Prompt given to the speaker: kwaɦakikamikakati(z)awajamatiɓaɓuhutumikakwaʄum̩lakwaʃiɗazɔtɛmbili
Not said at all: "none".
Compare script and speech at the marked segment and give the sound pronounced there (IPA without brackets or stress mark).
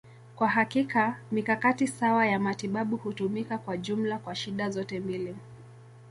s